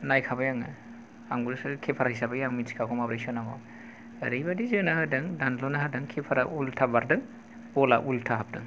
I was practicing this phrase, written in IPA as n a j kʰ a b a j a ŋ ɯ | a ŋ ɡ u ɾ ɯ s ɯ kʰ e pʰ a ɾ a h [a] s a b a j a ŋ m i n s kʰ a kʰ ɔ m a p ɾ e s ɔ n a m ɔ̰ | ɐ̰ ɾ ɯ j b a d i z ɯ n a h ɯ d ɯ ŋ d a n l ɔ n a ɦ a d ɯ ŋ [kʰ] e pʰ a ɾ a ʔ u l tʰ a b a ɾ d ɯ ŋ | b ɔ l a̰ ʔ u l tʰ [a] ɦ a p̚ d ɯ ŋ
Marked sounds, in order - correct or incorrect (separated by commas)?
incorrect, correct, correct